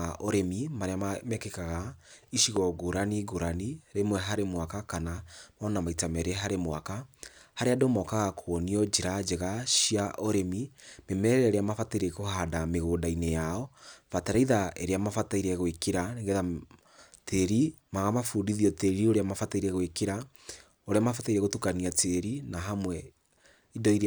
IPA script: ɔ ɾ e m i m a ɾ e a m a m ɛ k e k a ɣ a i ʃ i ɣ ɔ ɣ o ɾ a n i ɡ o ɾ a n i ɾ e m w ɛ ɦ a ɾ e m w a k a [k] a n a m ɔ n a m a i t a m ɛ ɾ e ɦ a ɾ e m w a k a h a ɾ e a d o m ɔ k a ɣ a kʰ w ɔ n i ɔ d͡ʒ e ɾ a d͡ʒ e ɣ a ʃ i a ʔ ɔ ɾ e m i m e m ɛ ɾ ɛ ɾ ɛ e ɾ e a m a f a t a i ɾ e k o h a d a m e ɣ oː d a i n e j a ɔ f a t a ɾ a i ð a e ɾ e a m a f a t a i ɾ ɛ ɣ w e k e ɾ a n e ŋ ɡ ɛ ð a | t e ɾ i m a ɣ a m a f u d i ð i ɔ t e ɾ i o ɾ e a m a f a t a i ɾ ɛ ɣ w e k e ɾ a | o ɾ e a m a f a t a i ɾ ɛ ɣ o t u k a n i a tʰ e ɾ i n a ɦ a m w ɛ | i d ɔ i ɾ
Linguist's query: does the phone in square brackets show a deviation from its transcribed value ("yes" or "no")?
no